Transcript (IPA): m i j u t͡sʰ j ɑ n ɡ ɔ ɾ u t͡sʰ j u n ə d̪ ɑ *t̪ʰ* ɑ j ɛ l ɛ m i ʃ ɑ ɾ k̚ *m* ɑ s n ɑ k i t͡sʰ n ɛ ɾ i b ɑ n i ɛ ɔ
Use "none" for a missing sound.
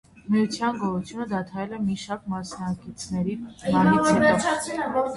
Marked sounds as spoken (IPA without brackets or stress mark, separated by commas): t̪ʰ, m